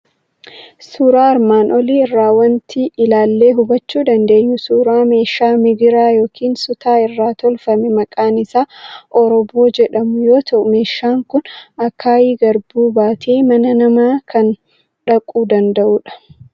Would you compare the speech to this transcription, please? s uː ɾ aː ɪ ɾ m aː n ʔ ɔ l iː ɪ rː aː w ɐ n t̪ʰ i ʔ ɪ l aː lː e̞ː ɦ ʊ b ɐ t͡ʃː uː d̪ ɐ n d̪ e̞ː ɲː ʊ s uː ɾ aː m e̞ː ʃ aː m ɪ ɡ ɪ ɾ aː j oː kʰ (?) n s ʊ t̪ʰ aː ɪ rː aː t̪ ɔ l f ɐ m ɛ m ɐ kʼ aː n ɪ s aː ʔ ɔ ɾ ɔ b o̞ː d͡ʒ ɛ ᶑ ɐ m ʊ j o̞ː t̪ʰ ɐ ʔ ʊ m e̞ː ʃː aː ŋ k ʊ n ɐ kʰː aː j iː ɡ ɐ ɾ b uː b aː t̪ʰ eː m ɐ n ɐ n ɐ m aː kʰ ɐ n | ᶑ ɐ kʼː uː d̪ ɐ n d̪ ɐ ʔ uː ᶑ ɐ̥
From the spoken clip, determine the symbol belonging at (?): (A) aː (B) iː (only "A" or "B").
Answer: B